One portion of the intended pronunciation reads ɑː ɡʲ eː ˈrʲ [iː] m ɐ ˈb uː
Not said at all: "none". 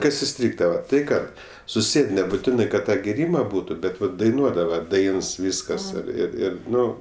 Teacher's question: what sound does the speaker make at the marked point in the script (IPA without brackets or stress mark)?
iː